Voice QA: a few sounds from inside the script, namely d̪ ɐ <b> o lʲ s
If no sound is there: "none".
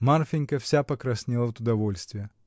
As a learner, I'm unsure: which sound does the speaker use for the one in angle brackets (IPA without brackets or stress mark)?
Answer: v